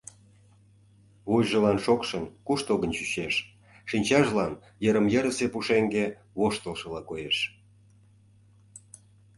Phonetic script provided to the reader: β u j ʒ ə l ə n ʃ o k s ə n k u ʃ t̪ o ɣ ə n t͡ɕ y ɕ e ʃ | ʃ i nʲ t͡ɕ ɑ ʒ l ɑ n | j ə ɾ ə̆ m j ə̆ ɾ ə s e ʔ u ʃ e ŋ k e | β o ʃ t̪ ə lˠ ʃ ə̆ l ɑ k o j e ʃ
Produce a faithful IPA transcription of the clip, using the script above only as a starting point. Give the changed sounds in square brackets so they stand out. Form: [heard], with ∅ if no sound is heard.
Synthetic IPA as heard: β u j ʒ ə l [ɑ] n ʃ o k [ʃ] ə n k u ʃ t̪ o ɣ ə n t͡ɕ y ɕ e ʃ | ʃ i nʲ t͡ɕ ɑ ʒ l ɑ n | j ə ɾ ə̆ m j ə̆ ɾ ə s e [p] u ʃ e ŋ [ɡ] e | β o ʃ t̪ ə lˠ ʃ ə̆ l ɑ k o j e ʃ